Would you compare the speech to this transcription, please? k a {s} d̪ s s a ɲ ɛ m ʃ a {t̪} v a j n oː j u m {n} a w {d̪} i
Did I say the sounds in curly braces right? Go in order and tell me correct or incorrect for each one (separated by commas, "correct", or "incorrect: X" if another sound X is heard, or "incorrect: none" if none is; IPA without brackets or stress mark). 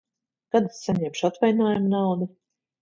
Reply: incorrect: none, correct, correct, correct